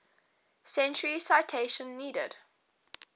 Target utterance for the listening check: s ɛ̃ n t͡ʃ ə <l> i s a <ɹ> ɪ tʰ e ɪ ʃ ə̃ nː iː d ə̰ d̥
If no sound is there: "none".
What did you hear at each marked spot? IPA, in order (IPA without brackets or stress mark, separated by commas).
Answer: ɹ, none